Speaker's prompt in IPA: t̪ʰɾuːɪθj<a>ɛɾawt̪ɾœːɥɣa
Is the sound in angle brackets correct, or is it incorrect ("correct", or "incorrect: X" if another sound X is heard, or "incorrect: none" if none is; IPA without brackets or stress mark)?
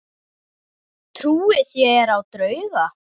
incorrect: ɛ